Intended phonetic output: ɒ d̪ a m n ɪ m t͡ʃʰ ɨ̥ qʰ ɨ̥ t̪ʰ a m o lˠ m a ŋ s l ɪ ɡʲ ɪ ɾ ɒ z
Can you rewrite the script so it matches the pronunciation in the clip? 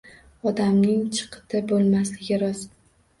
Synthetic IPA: ɒ d̪ a m n ɪ ŋ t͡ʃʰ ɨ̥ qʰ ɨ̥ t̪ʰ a b o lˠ m a s l ɪ ɡʲ ɪ ɾ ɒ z